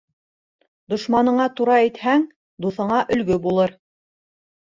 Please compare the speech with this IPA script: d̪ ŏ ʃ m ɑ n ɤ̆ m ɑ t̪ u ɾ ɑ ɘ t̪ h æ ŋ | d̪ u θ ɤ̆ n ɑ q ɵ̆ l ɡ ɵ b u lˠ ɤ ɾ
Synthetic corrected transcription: d̪ ŏ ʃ m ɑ n ɤ̆ ɴ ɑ t̪ u ɾ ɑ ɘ t̪ h æ ŋ | d̪ u θ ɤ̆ ɴ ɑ ʔ ɵ̆ l ɡ ɵ b u lˠ ɤ ɾ